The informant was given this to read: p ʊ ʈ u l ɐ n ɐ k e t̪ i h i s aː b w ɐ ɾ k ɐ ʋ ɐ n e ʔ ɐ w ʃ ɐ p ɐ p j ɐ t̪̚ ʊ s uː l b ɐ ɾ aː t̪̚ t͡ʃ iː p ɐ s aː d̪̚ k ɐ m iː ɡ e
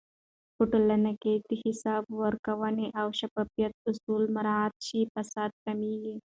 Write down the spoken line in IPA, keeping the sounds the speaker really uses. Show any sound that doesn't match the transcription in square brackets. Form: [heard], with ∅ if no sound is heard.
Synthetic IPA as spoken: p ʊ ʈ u l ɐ n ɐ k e t̪ i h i s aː b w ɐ ɾ k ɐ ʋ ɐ n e ʔ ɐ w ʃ ɐ p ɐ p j ɐ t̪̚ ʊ s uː l [m] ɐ ɾ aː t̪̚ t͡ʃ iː p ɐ s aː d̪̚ k ɐ m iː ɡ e

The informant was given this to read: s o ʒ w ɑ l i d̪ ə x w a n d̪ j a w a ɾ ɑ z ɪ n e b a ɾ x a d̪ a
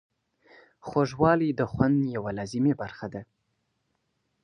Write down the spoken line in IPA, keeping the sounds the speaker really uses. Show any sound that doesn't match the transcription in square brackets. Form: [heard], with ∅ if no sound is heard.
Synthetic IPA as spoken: [x] o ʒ w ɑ l i d̪ ə x w a n d̪ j a w a [l] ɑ z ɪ [m] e b a ɾ x a d̪ a

